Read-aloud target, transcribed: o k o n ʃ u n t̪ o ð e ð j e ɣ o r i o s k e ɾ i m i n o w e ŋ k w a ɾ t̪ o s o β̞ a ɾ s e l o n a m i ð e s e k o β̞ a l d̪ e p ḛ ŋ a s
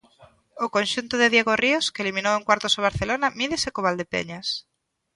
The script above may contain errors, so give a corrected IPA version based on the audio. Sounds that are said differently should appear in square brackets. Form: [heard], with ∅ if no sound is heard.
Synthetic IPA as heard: o k o n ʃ u n t̪ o ð e ð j e ɣ o r i o s k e [l] i m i n o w e ŋ k w a ɾ t̪ o s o β̞ a ɾ [θ] e l o n a m i ð e s e k o β̞ a l d̪ e p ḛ [ɲ] a s